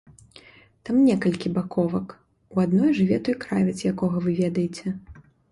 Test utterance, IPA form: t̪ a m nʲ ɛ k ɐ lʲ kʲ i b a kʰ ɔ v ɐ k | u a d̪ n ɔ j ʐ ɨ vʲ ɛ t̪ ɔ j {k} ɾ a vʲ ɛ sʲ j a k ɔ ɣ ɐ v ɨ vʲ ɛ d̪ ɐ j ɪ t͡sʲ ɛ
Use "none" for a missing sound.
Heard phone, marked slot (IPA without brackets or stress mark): k